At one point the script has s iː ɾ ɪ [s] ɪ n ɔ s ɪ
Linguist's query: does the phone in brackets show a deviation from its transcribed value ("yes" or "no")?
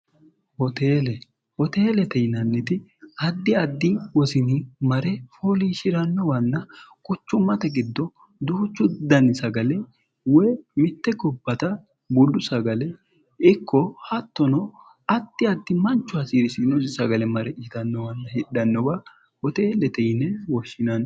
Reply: no